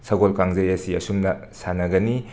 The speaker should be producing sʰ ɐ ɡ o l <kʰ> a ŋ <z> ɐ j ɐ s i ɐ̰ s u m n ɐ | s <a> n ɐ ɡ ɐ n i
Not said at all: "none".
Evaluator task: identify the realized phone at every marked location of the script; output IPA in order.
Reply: k, z, a

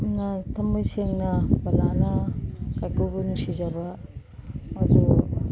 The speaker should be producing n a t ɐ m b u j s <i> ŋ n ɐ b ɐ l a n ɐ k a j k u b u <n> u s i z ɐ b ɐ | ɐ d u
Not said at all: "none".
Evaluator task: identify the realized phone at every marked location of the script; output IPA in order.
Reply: e, n

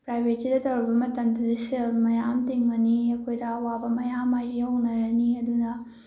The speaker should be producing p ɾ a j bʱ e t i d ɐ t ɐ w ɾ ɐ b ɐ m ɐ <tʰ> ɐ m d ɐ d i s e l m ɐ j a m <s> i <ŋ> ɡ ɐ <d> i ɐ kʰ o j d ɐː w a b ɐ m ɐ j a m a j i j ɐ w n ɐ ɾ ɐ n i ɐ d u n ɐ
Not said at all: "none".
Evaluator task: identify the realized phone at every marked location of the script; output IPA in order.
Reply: t, t, ŋ, n

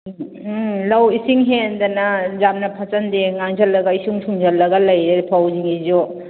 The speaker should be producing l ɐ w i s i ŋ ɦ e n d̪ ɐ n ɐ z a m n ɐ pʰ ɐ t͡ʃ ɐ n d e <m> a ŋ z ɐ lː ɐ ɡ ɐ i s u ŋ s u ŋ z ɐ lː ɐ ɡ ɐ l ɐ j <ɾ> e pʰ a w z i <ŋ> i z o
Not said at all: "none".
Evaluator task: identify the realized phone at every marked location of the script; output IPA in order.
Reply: ŋ, ɾ, ŋ

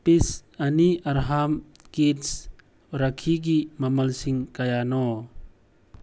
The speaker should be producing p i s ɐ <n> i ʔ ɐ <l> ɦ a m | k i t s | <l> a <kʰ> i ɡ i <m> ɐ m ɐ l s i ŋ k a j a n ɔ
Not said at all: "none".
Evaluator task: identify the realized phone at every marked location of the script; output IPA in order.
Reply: n, ɾ, ɾ, kʰ, m

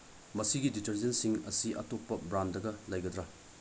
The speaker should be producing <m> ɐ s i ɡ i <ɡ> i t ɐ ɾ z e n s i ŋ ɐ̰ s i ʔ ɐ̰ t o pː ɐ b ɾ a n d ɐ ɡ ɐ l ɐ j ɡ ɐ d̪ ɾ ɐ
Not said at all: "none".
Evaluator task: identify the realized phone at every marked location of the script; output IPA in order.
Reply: m, d

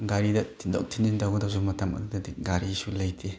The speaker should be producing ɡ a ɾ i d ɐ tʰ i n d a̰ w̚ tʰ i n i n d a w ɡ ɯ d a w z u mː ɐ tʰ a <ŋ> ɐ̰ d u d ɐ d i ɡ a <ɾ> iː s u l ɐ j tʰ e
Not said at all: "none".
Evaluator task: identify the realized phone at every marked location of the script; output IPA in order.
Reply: m, ɾ

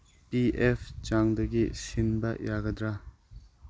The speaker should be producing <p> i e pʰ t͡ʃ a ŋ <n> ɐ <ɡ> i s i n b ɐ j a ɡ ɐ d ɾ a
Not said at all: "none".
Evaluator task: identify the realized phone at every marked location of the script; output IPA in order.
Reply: p, d, ɡ

